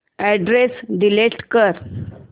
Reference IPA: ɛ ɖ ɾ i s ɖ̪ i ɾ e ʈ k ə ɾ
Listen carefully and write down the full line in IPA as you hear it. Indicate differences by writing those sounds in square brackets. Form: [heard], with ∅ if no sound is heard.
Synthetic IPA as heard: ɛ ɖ ɾ [e] s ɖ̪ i [l] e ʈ k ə ɾ